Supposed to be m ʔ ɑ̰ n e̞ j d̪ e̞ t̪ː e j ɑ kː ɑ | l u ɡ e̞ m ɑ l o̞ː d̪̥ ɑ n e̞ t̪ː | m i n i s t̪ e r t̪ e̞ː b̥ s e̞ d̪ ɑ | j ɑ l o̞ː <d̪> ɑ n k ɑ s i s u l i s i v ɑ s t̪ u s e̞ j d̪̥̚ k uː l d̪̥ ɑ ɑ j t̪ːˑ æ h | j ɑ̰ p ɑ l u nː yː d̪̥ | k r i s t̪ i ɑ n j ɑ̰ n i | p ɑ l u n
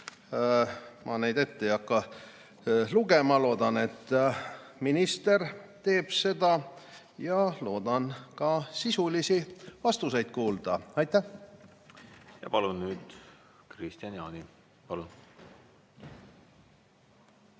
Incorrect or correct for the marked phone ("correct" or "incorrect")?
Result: correct